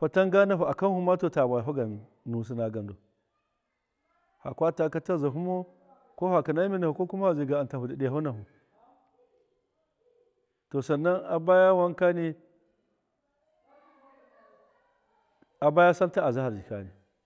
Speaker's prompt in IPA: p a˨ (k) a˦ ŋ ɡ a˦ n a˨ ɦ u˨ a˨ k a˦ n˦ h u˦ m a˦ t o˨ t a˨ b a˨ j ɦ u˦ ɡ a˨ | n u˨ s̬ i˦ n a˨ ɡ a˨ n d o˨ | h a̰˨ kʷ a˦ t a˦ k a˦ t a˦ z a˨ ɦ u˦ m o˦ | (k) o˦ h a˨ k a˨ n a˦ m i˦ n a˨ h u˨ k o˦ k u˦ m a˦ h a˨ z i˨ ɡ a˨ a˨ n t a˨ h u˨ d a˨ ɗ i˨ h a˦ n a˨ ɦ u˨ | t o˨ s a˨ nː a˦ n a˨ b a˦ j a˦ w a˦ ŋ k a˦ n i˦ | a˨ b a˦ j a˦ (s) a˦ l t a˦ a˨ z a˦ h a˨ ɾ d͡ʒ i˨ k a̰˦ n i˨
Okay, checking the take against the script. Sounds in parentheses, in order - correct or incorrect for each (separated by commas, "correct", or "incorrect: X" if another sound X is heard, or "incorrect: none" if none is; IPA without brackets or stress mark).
incorrect: t, correct, correct